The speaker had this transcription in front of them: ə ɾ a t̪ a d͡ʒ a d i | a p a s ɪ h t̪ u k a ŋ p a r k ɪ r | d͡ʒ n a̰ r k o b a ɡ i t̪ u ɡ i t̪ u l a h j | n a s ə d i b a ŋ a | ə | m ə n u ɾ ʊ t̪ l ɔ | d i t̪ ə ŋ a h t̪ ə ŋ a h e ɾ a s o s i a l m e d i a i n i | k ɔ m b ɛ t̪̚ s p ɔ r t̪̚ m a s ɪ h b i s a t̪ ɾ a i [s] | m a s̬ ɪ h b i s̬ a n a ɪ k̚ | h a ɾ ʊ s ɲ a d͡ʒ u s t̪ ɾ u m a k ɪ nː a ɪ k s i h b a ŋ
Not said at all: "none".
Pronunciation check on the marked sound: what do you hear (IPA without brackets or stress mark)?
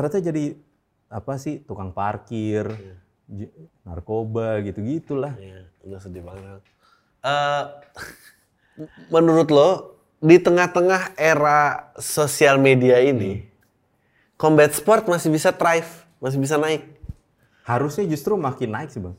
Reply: f